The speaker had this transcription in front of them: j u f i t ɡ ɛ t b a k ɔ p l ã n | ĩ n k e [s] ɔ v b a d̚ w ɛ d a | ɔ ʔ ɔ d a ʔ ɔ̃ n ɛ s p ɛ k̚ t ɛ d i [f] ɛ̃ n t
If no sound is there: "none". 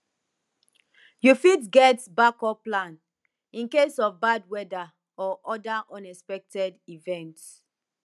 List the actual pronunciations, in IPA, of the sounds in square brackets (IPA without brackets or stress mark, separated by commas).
s, v